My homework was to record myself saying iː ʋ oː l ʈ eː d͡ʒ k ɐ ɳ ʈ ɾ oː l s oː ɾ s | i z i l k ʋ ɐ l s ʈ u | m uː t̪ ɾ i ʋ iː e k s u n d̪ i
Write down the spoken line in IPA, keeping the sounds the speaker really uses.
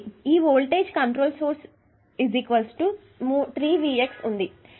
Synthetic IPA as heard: iː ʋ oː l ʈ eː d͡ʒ k ɐ ɳ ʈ ɾ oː l s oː ɾ s | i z i k ʋ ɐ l s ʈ u | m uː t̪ ɾ iː ʋ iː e k s u n d̪ i